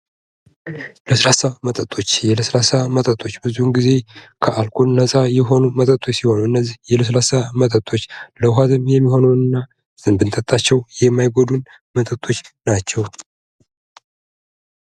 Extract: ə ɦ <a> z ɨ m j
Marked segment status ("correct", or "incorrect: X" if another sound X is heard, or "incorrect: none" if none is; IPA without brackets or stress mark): correct